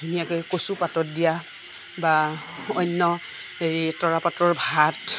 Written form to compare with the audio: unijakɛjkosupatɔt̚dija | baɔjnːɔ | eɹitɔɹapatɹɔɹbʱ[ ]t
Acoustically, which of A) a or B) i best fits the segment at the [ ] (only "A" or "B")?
A